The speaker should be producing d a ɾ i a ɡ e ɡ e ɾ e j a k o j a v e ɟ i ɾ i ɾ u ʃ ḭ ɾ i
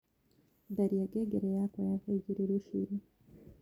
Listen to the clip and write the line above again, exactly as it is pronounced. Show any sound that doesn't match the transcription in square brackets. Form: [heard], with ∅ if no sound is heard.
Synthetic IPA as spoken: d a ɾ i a ɡ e ɡ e ɾ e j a k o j a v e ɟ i ɾ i ɾ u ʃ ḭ ɾ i